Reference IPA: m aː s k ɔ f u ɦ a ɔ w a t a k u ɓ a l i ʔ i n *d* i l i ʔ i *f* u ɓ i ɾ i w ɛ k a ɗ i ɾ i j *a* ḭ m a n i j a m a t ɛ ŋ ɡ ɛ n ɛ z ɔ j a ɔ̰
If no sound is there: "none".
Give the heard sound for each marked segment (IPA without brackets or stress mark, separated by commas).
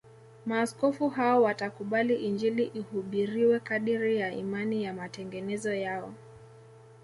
d͡ʒ, h, a